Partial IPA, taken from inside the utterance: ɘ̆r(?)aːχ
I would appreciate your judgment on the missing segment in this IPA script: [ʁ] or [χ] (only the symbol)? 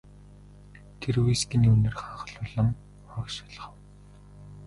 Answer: χ